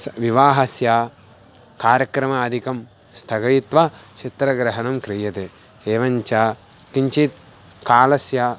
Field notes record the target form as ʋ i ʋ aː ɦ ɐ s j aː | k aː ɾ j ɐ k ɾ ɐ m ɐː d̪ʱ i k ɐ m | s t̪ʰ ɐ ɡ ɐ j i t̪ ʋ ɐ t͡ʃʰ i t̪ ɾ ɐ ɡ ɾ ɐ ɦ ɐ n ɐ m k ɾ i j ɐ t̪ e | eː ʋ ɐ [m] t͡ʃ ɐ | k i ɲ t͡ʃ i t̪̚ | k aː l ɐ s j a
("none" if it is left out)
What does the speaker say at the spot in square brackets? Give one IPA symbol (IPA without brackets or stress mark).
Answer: ɲ